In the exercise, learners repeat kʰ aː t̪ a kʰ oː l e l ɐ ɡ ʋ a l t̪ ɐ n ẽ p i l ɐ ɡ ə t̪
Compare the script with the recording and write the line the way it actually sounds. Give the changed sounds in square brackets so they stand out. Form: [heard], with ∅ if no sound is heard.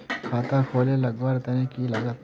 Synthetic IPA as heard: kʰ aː t̪ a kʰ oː l e l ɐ ɡ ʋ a [ɾ] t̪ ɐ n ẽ [k] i l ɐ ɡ ə t̪